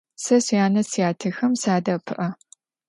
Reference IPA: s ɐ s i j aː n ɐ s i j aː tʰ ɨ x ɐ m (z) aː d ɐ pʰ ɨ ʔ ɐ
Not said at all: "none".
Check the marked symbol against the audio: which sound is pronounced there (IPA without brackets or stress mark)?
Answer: s